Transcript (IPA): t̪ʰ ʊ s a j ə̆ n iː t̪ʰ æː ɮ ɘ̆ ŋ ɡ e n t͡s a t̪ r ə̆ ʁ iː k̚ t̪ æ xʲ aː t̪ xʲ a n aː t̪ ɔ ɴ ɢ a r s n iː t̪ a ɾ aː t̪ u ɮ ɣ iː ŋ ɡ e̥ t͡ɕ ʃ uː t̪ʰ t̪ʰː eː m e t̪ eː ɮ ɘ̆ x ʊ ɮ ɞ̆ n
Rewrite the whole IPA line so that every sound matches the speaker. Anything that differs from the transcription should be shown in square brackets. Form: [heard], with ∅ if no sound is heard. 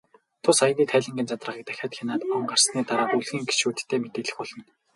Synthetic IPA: t̪ʰ ʊ s a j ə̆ n iː t̪ʰ æː ɮ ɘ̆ ŋ ɡ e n t͡s a t̪ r ə̆ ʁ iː k̚ t̪ æ xʲ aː t̪ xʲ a n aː t̪ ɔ ɴ ɢ a r s n iː t̪ a ɾ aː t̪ u ɮ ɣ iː ŋ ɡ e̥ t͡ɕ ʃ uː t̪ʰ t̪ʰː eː m e t̪ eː ɮ ɘ̆ x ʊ ɮ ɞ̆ n